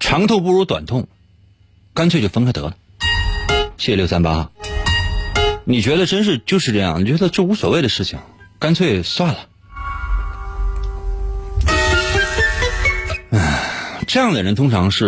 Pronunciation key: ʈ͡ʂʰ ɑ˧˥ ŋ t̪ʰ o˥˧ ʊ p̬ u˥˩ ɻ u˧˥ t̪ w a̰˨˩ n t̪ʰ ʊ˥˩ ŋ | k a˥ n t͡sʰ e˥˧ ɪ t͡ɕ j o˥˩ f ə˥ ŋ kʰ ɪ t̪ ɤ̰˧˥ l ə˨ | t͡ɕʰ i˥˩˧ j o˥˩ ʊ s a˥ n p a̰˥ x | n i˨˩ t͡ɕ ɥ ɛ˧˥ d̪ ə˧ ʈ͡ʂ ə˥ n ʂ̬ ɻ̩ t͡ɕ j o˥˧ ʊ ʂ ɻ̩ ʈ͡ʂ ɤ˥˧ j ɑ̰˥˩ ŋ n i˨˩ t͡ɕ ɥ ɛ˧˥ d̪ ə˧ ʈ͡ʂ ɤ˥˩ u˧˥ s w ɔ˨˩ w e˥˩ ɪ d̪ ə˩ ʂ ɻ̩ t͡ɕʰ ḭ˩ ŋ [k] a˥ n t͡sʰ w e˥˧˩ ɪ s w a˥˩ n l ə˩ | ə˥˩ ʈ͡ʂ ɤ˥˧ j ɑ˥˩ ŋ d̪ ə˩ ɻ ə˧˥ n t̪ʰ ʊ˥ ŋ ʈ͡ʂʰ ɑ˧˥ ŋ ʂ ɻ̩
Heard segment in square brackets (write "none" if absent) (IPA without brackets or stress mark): k